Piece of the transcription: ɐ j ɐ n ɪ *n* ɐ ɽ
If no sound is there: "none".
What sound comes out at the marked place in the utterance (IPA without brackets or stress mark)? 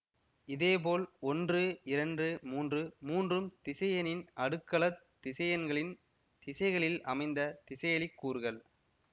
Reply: n